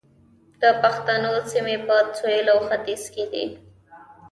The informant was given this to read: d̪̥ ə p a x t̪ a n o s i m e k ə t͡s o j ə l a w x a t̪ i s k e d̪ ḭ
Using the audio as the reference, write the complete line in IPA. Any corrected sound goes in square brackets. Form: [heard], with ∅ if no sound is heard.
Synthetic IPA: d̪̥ ə p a x t̪ a n o s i m e [p] ə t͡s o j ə l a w x a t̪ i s k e d̪ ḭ